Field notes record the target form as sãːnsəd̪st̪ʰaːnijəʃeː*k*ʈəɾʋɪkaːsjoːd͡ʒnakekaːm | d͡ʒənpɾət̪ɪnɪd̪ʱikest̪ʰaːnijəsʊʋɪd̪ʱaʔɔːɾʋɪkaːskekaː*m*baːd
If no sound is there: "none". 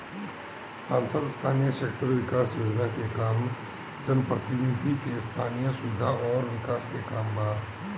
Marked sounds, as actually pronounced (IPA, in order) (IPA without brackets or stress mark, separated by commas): k, m